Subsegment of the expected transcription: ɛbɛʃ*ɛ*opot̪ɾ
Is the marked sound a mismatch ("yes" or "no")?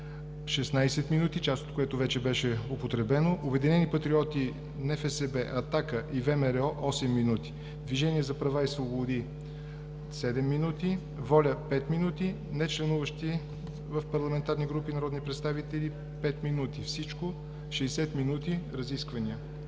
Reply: no